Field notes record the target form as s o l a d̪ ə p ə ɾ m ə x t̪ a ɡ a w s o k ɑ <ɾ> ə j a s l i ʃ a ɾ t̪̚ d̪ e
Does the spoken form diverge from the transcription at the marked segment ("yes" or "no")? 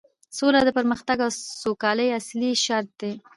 yes